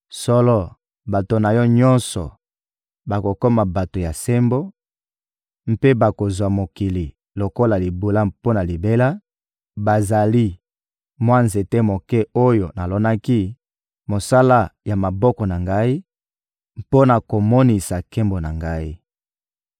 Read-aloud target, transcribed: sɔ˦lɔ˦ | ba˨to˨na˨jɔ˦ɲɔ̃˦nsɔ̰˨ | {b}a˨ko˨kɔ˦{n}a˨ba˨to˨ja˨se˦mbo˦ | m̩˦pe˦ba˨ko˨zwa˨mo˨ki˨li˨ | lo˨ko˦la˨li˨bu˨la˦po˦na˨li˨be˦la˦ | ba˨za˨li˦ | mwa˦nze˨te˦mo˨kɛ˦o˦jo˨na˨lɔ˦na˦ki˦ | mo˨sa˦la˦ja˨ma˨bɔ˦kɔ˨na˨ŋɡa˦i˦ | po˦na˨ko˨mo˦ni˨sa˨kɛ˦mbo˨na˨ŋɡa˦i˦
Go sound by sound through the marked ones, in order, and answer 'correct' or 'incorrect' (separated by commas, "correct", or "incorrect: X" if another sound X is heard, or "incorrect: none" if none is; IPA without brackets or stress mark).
correct, incorrect: m